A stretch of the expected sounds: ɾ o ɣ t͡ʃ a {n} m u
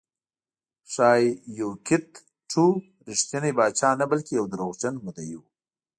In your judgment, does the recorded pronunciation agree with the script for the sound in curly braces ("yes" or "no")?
yes